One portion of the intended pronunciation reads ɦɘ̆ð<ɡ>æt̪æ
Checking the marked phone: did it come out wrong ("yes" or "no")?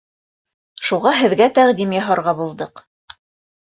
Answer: no